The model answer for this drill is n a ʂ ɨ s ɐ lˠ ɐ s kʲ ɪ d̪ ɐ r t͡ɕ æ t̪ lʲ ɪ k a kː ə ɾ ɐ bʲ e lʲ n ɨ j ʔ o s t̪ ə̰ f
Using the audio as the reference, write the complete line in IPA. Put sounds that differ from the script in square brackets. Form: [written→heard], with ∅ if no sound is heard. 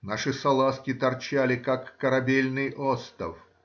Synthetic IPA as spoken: n a ʂ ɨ s ɐ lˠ [ɐ→a] s kʲ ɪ [d̪→t̪] ɐ r t͡ɕ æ [t̪→∅] lʲ ɪ k a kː ə ɾ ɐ bʲ e lʲ n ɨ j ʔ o s t̪ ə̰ f